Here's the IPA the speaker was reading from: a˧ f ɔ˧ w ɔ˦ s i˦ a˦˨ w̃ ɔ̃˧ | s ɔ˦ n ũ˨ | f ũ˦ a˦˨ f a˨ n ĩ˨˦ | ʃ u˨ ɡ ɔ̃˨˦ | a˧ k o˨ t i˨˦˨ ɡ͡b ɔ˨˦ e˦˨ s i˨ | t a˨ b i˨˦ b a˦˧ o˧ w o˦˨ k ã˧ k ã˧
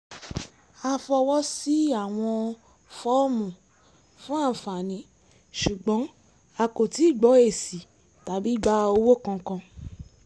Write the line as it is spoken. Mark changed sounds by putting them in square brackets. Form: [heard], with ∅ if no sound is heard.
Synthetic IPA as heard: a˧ f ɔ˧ w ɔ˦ s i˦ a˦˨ w̃ ɔ̃˧ | [f] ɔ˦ [m] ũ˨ | f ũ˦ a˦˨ f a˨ n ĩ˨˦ | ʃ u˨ [ɡ͡b] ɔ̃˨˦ | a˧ k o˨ t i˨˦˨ ɡ͡b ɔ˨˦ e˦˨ s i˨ | t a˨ b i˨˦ [ɡ͡b] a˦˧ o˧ w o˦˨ k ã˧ k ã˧